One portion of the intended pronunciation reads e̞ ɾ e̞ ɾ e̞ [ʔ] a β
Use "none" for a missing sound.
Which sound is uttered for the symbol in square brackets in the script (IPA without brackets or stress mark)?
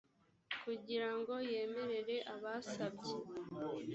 ʔ